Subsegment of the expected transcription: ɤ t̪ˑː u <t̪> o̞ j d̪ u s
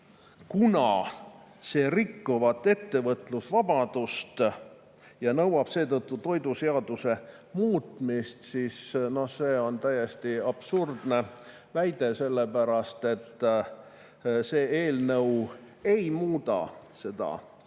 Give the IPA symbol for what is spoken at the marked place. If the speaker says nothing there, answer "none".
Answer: t̪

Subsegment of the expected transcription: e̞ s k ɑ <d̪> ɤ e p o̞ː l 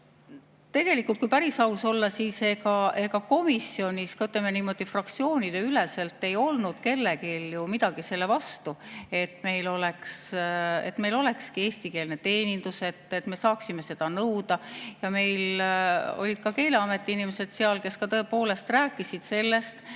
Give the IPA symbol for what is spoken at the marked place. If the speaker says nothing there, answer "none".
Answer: t̪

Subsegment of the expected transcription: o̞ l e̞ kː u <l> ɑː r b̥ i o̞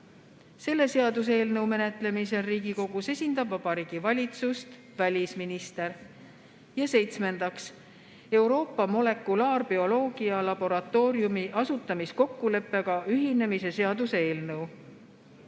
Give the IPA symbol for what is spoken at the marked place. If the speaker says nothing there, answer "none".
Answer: l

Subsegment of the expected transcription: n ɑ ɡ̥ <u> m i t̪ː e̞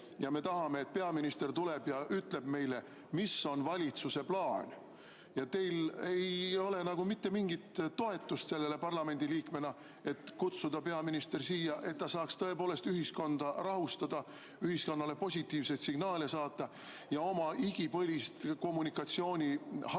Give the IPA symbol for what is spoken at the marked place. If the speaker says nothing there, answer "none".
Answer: u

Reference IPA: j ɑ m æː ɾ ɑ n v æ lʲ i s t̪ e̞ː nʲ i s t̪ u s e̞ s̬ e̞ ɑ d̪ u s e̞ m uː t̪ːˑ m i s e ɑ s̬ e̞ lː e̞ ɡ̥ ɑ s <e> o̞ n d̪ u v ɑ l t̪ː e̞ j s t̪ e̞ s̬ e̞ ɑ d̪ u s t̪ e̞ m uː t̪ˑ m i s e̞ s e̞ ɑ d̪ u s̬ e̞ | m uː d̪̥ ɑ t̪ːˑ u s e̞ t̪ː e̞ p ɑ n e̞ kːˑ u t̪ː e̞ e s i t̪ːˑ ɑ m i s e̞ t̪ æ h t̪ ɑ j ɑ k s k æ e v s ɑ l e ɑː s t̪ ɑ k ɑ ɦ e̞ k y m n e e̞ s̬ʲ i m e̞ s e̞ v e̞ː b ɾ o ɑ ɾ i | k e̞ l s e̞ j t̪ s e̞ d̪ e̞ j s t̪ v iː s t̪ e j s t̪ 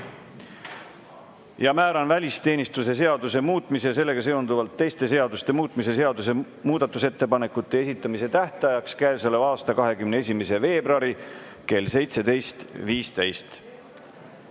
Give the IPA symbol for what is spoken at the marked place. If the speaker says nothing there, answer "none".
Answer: e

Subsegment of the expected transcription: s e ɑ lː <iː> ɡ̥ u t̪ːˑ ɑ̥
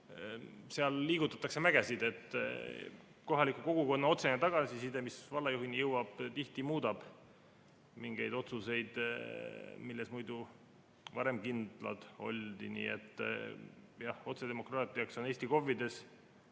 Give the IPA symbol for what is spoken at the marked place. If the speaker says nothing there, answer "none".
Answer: iː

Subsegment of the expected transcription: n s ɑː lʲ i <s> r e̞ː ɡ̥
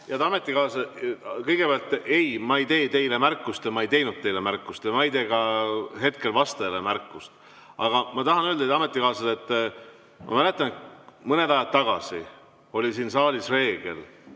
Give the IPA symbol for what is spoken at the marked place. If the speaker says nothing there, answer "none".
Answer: s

